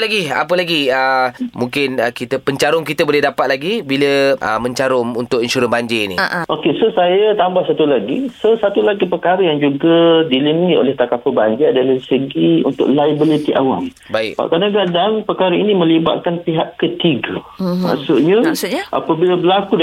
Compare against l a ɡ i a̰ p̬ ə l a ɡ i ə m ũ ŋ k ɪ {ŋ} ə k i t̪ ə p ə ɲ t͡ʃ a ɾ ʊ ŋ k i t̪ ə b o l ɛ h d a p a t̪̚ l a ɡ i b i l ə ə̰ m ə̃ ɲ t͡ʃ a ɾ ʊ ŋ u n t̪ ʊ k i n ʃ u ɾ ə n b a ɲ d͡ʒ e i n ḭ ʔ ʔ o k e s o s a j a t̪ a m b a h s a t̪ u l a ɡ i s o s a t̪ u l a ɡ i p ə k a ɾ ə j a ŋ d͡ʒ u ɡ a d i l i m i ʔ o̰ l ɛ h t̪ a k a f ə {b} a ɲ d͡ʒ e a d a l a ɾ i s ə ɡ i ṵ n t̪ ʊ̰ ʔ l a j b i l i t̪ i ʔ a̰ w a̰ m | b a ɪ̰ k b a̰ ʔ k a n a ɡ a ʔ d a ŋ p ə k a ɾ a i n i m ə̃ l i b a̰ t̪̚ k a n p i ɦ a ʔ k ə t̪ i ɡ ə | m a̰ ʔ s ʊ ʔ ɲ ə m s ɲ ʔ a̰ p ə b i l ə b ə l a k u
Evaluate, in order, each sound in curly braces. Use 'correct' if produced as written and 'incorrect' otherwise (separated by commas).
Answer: incorrect, correct